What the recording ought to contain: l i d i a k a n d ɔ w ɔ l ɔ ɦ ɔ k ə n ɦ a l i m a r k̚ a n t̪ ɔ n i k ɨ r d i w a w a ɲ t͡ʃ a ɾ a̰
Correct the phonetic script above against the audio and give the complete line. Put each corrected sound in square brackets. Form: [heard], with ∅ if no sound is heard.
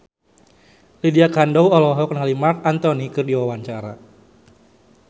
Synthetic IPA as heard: l i d i a k a n d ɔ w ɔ l ɔ ɦ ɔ k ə n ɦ a l i m a r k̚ a n t̪ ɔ n i k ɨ r d i w a w a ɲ t͡ʃ a ɾ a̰